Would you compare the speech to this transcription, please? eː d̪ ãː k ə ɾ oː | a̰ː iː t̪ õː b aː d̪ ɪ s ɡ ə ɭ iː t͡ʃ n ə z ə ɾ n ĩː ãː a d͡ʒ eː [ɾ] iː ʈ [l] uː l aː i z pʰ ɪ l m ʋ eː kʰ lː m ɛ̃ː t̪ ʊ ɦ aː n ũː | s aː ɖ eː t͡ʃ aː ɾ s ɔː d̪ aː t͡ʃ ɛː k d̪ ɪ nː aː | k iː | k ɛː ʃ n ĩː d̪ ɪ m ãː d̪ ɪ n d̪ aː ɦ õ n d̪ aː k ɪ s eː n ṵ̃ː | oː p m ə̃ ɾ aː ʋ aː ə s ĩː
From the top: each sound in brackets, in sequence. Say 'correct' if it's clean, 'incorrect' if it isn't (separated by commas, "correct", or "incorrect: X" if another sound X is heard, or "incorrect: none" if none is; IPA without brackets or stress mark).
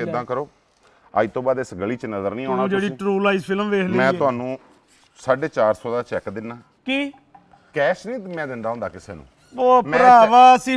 incorrect: ɽ, incorrect: ɾ